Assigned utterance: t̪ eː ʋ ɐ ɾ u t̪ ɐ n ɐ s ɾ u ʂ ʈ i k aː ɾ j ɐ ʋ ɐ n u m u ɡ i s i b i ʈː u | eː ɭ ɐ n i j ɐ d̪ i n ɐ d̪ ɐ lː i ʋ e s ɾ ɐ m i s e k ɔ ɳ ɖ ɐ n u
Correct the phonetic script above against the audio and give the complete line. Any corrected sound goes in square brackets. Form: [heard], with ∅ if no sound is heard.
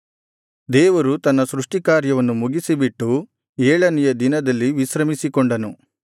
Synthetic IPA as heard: [d̪] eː ʋ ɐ ɾ u t̪ ɐ [nː] ɐ s ɾ u ʂ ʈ i k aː ɾ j ɐ ʋ ɐ [nː] u m u ɡ i s i b i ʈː u | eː ɭ ɐ n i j ɐ d̪ i n ɐ d̪ ɐ lː i ʋ [i] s ɾ ɐ m i s [i] k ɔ ɳ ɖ ɐ n u